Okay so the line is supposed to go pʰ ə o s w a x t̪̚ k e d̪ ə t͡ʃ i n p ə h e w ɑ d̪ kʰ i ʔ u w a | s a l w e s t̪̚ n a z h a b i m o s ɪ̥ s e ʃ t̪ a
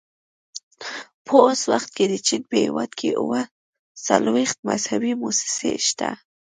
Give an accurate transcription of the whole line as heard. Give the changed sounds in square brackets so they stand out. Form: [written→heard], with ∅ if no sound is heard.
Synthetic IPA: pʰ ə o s w a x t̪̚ k e d̪ ə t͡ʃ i n p ə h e w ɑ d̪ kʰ [i→e] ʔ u w a | s a l w e [s→x] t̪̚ [n→m] a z h a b i m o s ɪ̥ s e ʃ t̪ a